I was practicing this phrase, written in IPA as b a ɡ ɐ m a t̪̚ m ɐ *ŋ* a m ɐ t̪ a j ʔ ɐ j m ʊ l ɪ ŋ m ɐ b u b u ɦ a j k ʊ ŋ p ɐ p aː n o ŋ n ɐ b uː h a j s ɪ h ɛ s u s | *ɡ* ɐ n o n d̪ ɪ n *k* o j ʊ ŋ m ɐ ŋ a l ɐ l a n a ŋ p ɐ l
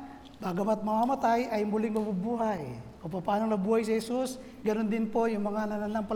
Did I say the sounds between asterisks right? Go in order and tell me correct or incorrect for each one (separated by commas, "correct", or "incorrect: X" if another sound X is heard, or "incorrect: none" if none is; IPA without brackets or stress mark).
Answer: incorrect: m, correct, incorrect: p